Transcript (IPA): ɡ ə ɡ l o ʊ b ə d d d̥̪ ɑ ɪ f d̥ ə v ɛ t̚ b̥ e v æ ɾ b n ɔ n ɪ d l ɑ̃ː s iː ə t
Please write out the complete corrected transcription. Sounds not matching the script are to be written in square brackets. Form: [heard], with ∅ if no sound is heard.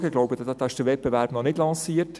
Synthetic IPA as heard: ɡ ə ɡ l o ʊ b ə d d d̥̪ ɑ ɪ [ʃ] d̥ ə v ɛ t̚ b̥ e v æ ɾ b n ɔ n ɪ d l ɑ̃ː s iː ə t